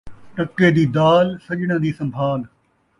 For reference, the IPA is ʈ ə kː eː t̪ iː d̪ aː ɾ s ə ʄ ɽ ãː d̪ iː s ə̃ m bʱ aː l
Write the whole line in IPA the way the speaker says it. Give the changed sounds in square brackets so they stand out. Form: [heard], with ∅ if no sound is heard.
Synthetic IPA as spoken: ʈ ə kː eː [d̪] iː d̪ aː [l] s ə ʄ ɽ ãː d̪ iː s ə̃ m bʱ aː l